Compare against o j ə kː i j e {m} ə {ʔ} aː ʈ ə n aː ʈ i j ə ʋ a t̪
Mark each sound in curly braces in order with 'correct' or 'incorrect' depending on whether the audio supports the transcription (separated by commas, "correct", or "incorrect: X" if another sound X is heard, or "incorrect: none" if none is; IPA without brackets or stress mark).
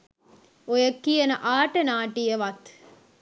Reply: incorrect: n, correct